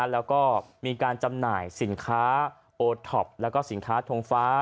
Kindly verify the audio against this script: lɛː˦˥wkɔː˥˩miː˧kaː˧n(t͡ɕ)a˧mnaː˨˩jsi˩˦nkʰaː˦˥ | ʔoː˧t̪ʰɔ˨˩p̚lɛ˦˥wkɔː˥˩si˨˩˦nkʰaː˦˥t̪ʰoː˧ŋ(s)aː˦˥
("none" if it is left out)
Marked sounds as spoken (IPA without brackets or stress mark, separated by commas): t͡ɕ, f